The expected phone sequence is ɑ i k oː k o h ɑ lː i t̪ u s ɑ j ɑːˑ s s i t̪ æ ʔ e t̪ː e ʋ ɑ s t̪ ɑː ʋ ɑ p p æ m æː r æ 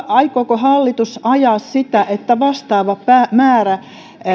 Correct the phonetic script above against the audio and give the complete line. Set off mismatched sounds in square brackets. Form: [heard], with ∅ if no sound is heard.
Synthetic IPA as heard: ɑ i k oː k o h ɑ lː i t̪ u s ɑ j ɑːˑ s s i t̪ æ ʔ e t̪ː [æ] ʋ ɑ s t̪ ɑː ʋ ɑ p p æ m æː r æ